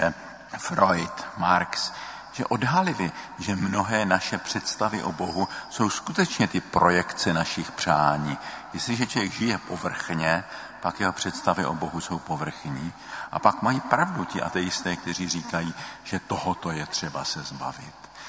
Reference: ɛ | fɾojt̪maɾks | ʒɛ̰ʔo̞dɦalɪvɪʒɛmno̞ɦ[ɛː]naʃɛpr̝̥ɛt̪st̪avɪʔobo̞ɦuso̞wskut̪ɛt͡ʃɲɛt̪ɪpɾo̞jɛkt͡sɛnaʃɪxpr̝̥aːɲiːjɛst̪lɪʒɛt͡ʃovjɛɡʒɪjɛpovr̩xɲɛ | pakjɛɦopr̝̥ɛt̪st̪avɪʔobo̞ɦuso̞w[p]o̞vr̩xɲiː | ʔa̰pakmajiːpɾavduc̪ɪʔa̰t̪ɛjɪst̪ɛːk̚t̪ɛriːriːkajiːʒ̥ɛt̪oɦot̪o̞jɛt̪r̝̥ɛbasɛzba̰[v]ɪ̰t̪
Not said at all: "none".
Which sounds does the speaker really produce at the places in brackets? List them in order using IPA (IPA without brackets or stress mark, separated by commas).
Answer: ɛː, p, v